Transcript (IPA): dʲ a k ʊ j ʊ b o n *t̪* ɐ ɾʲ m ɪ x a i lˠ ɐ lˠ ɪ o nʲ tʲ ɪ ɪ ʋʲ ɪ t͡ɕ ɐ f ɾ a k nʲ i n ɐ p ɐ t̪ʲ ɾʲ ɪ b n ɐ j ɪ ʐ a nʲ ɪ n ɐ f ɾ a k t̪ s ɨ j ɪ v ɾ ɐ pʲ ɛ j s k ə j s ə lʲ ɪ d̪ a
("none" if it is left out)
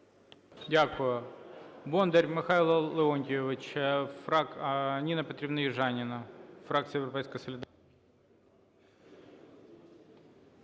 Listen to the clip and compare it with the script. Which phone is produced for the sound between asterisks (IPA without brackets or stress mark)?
d̪